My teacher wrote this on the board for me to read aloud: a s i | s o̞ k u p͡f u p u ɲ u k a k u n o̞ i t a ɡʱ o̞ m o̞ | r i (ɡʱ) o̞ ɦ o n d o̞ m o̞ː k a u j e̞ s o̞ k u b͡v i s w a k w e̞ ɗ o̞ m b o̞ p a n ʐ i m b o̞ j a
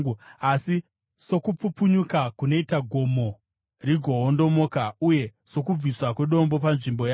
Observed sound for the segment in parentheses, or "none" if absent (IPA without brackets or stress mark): ɡʱ